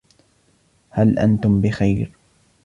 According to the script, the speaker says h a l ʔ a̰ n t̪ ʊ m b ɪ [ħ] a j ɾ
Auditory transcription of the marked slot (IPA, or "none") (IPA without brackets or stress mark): x